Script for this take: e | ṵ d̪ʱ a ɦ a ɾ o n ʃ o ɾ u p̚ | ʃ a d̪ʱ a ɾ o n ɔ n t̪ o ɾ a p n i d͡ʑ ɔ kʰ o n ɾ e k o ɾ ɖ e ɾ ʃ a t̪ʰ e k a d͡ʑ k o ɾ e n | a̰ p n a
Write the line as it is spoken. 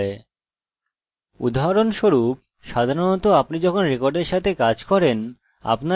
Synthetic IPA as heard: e | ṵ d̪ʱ a ɦ a ɾ o n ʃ o ɾ u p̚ | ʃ a d̪ʱ a ɾ o n ɔ t̪ o a p n i d͡ʑ ɔ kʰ o n ɾ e k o ɾ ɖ e ɾ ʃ a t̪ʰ e k a d͡ʑ k ɔ ɾ e n | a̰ p n a